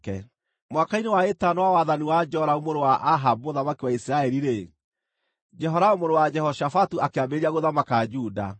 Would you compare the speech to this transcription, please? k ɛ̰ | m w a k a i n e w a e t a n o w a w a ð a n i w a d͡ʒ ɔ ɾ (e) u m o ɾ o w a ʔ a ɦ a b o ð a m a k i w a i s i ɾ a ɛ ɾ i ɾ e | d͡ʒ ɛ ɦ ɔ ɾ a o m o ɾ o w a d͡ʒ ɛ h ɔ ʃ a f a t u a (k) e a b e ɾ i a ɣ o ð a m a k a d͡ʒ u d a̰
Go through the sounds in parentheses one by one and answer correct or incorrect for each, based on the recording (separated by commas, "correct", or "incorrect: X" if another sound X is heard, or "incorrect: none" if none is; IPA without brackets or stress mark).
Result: incorrect: a, correct